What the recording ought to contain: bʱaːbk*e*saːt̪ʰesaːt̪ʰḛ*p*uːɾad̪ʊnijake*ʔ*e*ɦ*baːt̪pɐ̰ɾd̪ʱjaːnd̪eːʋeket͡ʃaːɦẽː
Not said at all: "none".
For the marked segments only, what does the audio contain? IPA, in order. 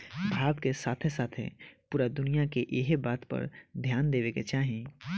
e, p, ʔ, ɦ

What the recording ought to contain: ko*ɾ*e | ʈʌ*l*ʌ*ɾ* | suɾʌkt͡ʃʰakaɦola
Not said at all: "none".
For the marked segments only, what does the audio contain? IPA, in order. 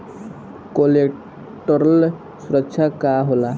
l, ɾ, l

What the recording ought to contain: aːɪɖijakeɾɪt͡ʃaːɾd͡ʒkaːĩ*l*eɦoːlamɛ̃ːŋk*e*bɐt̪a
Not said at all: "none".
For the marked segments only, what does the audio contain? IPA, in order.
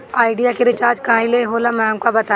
l, a

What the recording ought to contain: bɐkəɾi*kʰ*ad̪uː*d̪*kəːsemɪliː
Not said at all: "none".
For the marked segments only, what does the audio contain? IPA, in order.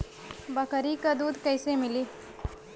k, d̪

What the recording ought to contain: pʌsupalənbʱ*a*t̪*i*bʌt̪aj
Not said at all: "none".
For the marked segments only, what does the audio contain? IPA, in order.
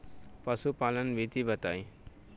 i, i

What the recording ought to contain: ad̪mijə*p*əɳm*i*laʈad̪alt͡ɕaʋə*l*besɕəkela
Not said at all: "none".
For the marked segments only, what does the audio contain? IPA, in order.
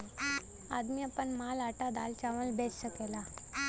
p, a, l

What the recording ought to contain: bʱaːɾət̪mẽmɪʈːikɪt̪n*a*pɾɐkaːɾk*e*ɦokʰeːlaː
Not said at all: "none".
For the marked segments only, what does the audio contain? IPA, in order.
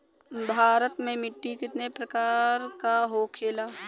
e, a

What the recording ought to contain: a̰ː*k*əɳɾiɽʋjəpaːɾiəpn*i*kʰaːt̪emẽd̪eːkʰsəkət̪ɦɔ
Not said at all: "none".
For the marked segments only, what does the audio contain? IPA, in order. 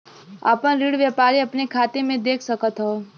p, e

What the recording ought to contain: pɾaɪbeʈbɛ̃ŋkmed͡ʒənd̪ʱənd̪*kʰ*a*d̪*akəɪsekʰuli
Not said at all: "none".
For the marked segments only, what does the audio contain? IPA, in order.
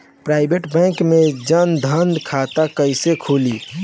kʰ, t̪

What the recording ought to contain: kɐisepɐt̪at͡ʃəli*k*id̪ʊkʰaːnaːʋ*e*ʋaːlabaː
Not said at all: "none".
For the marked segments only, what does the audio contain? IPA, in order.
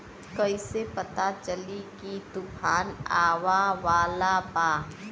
k, a

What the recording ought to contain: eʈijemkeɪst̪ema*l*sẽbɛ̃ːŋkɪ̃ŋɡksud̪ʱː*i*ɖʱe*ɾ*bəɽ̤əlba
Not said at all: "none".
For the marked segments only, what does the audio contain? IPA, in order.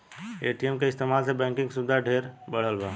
l, a, ɾ

